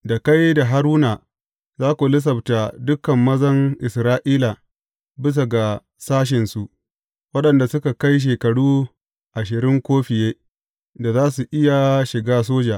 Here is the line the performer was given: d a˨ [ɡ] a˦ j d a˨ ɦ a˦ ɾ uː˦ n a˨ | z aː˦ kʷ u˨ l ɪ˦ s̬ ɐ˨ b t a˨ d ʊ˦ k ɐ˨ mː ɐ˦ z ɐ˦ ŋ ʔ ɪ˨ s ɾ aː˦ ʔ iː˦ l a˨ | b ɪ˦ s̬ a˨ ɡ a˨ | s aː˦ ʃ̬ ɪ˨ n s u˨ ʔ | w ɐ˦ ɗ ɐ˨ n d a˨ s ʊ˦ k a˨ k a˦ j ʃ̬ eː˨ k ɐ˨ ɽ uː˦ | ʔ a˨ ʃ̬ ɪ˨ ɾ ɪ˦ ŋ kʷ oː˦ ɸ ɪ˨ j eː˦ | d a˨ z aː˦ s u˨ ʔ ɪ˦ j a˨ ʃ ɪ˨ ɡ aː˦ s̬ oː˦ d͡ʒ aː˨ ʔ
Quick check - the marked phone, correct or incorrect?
incorrect